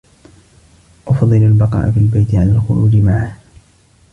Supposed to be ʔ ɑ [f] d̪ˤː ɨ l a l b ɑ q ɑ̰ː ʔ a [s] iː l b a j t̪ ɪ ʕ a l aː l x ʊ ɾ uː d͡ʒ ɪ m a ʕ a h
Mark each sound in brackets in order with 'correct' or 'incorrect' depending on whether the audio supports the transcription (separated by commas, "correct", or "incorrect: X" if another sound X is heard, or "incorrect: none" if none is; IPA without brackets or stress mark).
correct, incorrect: f